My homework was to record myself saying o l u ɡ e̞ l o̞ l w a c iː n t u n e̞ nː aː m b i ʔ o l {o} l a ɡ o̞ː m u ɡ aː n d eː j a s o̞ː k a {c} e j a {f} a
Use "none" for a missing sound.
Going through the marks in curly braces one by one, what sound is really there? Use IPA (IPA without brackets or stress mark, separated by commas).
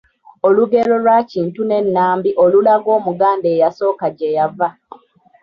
u, ɟ, v